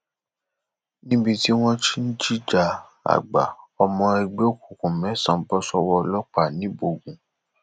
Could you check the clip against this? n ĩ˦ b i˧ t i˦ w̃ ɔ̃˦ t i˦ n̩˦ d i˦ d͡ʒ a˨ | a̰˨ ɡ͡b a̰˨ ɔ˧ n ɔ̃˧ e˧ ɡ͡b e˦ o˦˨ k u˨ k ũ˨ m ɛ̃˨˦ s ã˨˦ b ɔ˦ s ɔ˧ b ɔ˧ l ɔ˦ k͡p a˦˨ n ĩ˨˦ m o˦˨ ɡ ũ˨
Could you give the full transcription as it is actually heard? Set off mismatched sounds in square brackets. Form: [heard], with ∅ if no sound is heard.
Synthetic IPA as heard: n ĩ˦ b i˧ t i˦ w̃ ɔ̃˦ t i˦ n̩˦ [d͡ʒ] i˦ d͡ʒ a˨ | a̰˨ ɡ͡b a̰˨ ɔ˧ [m] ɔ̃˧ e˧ ɡ͡b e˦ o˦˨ k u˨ k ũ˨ m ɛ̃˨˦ s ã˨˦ b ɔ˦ s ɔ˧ [w] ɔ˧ l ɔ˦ k͡p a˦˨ n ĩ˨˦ [b] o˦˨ ɡ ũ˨